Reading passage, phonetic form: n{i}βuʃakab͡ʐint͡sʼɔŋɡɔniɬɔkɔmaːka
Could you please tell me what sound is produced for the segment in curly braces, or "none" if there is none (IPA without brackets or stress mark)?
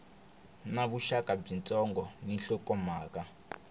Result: a